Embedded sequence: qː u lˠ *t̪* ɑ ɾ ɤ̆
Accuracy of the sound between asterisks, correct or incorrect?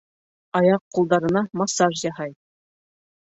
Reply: incorrect